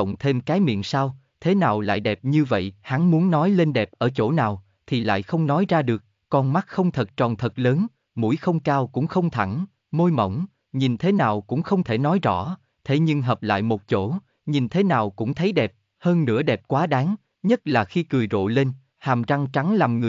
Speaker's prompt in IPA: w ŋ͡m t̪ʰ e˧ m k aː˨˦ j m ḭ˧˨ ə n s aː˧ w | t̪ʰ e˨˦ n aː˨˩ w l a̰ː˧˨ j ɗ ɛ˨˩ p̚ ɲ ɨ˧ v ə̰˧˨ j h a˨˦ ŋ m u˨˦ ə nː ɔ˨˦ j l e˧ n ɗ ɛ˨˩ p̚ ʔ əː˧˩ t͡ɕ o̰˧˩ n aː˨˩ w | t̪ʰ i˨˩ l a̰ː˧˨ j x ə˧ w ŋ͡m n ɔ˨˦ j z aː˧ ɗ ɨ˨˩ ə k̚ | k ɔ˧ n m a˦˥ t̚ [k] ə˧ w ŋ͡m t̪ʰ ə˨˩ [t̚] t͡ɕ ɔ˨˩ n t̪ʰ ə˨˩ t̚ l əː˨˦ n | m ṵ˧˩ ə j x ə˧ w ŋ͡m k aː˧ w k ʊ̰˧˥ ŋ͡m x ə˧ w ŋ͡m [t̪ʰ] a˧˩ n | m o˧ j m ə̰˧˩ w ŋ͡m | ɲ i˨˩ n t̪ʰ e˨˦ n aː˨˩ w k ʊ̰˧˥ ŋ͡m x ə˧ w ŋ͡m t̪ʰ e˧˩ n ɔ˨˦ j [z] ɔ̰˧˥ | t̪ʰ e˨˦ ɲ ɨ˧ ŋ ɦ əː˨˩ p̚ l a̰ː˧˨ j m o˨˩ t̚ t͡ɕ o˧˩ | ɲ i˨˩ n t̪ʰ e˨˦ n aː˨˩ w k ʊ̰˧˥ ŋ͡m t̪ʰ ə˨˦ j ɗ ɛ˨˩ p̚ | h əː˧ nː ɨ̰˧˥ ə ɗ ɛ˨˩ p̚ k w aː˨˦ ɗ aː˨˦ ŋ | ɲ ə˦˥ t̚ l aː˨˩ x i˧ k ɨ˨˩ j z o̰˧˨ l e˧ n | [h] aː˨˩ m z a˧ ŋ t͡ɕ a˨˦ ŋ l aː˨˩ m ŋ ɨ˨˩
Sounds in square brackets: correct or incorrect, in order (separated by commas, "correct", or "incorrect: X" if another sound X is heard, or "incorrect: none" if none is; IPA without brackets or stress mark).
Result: incorrect: x, correct, correct, correct, correct